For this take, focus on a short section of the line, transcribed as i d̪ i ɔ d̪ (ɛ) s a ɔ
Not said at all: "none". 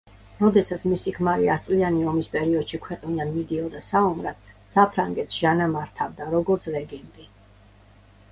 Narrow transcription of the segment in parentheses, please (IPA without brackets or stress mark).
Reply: a